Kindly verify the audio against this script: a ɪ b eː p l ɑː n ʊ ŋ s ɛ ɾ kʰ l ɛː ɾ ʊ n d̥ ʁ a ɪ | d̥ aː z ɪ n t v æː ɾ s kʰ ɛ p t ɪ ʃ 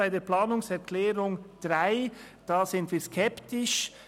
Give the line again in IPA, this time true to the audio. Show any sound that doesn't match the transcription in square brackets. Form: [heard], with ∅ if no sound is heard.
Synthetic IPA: a ɪ [d] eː p l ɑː n ʊ ŋ s ɛ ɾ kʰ l ɛː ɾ ʊ [ŋ] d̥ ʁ a ɪ | d̥ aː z ɪ n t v [iː] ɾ s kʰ ɛ p t ɪ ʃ